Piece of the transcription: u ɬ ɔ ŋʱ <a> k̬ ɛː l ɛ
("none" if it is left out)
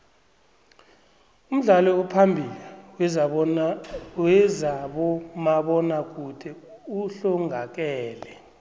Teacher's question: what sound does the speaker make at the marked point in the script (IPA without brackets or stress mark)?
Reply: a